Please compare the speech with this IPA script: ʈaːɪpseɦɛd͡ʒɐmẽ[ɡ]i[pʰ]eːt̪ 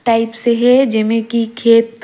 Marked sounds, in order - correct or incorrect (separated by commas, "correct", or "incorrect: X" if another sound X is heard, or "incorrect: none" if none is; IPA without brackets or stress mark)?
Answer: incorrect: k, incorrect: kʰ